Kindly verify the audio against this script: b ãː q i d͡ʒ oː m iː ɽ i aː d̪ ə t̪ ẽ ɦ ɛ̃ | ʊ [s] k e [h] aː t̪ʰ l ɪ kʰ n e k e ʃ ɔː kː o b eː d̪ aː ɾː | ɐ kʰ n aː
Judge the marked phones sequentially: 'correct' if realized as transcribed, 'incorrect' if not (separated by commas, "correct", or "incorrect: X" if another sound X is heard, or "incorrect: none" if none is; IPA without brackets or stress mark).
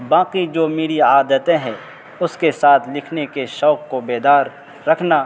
correct, incorrect: s